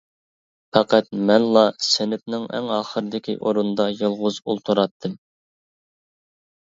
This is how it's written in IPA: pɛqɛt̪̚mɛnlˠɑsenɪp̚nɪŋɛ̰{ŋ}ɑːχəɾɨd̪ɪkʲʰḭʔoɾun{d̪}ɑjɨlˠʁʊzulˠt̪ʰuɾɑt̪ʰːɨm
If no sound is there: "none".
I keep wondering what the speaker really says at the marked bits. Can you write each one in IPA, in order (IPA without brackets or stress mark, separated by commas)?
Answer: ŋ, d̪